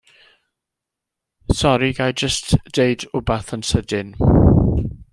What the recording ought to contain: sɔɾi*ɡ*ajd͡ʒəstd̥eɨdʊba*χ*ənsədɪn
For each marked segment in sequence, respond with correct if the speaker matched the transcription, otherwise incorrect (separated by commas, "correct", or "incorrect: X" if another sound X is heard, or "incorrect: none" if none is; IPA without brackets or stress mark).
correct, incorrect: θ